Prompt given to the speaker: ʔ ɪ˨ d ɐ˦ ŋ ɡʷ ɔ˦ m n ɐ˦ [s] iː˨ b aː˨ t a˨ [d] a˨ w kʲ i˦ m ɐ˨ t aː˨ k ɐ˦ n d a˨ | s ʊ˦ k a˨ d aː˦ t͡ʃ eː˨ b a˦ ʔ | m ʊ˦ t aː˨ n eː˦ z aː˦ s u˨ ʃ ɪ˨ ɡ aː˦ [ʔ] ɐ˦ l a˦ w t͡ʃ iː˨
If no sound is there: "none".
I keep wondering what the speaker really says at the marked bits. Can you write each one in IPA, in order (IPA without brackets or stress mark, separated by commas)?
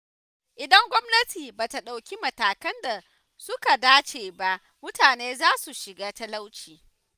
t, ɗ, t